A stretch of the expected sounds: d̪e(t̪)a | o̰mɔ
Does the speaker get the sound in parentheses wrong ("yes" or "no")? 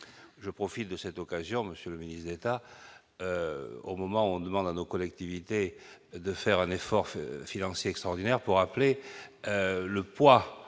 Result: no